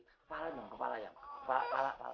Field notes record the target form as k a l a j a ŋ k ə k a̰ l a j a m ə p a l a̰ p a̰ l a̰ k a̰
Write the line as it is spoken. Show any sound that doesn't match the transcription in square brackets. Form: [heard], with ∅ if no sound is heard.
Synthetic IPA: [p] a l a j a ŋ k ə [p] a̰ l a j a [ŋ] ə p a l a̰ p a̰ l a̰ [p] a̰